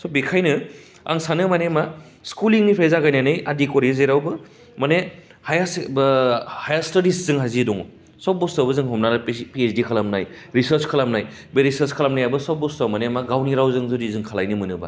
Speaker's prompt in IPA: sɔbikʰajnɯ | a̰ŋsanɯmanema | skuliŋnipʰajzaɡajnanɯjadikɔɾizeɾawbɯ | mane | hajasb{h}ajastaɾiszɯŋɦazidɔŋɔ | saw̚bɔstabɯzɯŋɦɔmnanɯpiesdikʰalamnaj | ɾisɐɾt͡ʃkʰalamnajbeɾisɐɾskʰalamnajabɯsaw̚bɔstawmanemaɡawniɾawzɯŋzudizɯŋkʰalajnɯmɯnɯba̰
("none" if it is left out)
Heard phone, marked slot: h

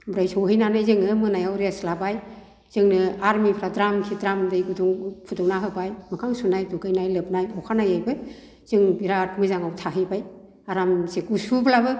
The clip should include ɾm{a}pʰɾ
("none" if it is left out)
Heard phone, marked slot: i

